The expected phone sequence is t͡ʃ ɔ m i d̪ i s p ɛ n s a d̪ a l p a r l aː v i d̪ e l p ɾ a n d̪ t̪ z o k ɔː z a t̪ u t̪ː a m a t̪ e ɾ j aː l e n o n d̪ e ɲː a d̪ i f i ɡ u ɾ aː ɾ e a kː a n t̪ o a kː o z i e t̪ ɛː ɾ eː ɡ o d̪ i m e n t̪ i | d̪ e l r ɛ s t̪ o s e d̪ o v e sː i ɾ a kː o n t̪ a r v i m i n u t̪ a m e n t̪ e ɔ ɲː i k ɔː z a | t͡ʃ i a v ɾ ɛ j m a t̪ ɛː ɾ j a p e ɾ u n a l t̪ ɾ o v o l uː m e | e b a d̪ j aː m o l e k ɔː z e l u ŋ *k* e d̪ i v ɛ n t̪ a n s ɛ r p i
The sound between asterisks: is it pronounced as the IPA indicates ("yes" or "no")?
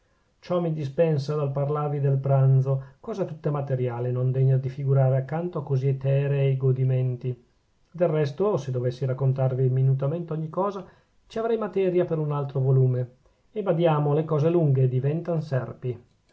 no